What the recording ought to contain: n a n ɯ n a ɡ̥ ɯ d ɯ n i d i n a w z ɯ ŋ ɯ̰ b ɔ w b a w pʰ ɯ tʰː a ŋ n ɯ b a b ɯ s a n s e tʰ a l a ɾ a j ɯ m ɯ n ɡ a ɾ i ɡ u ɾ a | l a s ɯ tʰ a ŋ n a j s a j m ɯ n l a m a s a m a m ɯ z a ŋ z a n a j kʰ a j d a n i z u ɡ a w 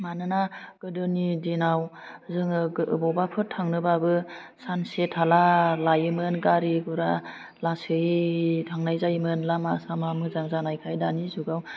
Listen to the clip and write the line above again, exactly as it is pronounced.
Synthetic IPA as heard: m a n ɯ n a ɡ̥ ɯ d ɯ n i d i n a w z ɯ ŋ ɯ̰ b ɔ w b a pʰ ɯ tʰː a ŋ n ɯ b a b ɯ s a n s e tʰ a l a l a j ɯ m ɯ n ɡ a ɾ i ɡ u ɾ a | l a s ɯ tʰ a ŋ n a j z a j m ɯ n l a m a s a m a m ɯ z a ŋ z a n a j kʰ a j d a n i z u ɡ a w